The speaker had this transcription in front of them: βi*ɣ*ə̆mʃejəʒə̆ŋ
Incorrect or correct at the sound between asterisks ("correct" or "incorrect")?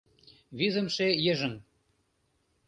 incorrect